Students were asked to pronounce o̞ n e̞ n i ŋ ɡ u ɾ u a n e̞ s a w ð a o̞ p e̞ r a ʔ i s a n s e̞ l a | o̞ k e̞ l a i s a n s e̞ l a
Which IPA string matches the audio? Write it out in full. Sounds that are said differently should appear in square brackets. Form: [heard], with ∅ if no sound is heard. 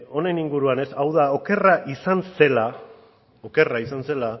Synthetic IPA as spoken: o̞ n e̞ n i ŋ ɡ u ɾ u a n e̞ s a w ð a o̞ [k] e̞ r a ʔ i s a n s e̞ l a | o̞ k e̞ [r] a i s a n s e̞ l a